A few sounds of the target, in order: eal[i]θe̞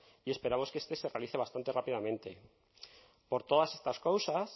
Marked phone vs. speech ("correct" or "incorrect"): correct